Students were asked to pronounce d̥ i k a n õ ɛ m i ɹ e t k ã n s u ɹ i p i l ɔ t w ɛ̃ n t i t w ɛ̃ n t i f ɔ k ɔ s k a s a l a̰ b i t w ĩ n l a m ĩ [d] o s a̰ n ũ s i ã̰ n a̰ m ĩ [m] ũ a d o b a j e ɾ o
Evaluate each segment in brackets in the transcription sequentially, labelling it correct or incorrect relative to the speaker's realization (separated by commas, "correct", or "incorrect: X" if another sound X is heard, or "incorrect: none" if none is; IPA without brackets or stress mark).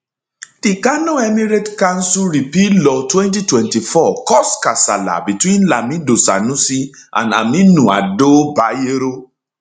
correct, incorrect: n